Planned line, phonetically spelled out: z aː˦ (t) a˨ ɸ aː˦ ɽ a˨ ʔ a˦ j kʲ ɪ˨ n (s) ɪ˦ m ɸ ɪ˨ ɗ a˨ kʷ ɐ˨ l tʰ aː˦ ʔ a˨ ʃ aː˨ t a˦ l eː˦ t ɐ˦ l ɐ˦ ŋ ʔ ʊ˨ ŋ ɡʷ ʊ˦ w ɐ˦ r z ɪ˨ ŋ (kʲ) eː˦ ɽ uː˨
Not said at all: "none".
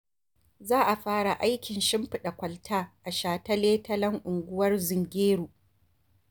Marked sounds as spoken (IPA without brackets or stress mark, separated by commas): ʔ, ʃ, ɡʲ